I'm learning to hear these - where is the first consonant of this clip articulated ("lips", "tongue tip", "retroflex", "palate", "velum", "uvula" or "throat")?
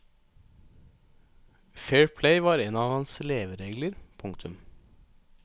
lips